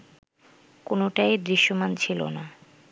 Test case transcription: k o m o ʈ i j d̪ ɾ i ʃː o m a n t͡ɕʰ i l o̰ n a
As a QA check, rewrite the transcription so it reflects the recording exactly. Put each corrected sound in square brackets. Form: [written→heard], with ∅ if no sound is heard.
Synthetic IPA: k o [m→n] o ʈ [i→a] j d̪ ɾ i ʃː o m a n t͡ɕʰ i l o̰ n a